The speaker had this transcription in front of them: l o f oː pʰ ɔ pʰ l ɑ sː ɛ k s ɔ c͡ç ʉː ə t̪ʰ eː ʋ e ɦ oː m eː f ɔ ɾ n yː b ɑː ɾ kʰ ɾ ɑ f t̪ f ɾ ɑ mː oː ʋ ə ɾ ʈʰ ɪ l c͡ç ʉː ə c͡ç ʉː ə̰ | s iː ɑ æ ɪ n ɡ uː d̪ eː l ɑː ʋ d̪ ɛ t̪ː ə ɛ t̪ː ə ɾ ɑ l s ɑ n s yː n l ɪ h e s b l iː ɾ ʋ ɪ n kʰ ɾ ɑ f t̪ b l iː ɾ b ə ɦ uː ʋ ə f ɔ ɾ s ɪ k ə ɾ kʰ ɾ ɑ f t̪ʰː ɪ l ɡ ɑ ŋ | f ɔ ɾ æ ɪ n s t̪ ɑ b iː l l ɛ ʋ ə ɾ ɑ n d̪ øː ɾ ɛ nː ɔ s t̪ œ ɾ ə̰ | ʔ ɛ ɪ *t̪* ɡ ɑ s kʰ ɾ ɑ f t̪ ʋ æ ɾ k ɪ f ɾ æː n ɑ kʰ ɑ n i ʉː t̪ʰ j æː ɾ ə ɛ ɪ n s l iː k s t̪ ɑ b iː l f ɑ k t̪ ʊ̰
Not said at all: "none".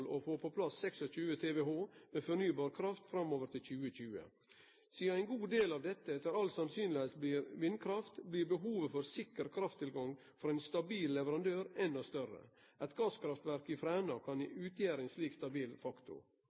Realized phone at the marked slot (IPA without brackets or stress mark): t̪